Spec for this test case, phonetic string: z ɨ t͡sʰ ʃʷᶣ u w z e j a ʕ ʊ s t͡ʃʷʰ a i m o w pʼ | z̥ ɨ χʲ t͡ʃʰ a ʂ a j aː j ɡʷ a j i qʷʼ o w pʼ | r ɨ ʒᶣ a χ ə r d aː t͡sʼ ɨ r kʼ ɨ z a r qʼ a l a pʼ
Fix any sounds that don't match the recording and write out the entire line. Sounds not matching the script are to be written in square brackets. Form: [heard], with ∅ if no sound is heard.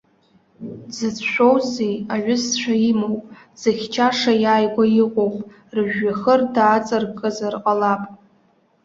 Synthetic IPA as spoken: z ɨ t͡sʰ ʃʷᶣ [o] w z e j a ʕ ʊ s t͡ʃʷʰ a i m o w pʼ | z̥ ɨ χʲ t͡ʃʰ a ʂ a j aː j ɡʷ a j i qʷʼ o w pʼ | r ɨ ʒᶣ a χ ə r d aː t͡sʼ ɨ r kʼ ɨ z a r qʼ a l a pʼ